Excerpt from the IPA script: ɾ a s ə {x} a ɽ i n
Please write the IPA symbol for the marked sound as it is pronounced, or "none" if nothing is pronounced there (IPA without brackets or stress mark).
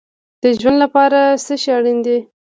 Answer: ʃ